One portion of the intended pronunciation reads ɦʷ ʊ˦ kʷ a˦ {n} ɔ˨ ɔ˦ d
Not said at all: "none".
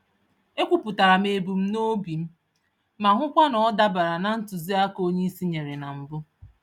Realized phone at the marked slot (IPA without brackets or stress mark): n